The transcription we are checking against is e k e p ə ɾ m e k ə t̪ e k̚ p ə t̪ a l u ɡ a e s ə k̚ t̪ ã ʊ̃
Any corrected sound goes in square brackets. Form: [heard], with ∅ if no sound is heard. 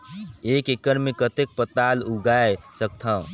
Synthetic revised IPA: e k e [k] ə ɾ m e k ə t̪ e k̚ p ə t̪ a l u ɡ a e s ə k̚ [t̪ʰ] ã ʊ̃